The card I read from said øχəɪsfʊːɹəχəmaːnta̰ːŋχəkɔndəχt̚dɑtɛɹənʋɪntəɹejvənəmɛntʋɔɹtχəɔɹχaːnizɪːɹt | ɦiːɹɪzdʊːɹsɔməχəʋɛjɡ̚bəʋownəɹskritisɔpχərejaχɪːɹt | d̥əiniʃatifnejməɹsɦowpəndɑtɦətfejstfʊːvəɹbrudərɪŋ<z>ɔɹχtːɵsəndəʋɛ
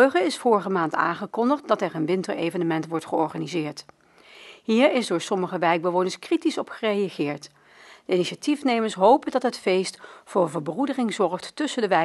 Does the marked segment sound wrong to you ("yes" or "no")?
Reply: no